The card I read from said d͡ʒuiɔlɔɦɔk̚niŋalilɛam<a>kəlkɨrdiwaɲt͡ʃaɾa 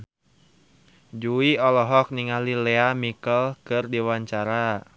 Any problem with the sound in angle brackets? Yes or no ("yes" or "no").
yes